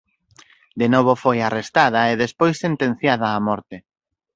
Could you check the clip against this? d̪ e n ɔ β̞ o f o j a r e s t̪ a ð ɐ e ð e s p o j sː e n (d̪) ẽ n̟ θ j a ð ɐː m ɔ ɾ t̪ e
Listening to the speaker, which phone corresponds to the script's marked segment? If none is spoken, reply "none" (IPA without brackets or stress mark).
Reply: t̪